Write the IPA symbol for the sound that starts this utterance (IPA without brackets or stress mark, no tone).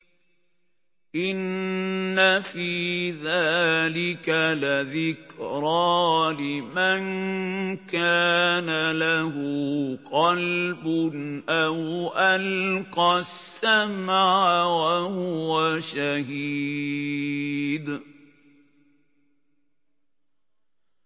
ʔ